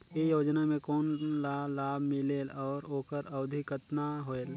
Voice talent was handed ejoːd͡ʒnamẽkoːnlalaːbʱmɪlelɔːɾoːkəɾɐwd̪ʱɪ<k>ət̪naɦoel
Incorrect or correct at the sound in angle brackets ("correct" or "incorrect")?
correct